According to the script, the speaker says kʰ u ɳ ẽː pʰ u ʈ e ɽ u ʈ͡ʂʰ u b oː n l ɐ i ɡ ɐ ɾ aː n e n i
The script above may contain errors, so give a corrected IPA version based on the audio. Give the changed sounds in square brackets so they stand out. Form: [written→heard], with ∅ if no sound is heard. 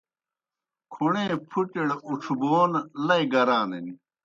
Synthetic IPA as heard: kʰ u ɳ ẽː pʰ u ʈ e ɽ u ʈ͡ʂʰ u b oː n l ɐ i ɡ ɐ ɾ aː n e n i